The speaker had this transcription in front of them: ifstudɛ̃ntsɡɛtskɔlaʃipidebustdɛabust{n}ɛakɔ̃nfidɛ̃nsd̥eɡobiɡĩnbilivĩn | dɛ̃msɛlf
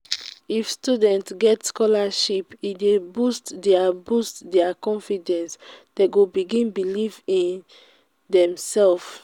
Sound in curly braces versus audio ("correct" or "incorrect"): incorrect